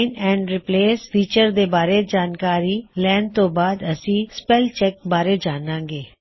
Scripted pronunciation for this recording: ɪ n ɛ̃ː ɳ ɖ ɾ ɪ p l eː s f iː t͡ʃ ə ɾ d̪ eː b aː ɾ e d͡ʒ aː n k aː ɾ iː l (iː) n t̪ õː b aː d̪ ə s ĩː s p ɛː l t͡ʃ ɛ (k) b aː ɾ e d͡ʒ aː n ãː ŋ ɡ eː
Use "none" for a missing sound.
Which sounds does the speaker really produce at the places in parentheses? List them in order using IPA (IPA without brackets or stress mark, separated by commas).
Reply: ɛː, k